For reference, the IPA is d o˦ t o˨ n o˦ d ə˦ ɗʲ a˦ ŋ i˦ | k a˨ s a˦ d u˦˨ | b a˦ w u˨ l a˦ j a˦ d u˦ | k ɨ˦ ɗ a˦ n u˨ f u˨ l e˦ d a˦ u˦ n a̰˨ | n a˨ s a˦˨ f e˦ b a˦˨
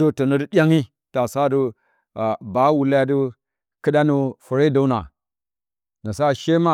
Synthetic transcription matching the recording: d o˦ t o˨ n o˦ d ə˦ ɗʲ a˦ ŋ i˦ | t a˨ s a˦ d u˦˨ | b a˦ w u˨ l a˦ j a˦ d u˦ | k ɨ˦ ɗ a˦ n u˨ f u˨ ɾ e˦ d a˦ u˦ n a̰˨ | n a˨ s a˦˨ ʃ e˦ m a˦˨